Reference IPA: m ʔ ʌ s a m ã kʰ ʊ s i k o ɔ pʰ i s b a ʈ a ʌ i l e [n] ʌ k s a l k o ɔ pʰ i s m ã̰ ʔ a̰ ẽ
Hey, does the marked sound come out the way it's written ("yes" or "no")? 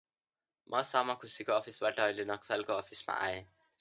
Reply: yes